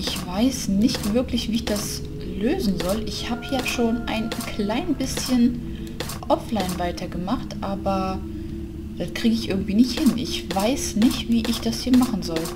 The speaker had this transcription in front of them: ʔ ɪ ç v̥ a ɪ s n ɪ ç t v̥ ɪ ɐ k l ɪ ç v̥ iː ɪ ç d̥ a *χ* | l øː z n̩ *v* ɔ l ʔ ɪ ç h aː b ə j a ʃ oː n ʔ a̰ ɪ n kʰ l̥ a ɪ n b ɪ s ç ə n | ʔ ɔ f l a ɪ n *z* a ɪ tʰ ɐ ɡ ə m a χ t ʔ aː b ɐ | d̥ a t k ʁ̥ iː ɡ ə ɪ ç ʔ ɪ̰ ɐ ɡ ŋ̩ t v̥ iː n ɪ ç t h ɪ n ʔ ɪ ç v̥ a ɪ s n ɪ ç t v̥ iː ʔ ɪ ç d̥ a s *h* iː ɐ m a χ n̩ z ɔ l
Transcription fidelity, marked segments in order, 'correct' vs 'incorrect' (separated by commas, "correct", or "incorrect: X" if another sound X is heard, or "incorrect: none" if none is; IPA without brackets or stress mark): incorrect: s, incorrect: z, incorrect: v, correct